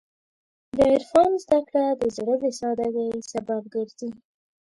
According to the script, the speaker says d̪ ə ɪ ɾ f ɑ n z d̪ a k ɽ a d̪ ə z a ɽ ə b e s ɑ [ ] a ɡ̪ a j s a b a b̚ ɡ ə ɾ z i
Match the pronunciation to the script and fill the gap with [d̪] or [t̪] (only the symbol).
d̪